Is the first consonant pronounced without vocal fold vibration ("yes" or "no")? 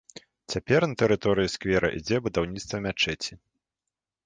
yes